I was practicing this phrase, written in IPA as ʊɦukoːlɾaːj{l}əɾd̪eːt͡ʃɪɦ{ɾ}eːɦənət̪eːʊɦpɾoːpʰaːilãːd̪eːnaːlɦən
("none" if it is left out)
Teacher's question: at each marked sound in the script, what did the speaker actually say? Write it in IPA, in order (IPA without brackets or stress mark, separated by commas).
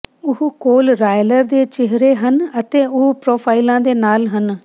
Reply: l, ɾ